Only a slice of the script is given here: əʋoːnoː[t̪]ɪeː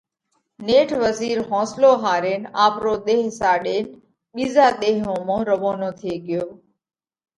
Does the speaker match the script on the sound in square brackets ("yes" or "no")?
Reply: no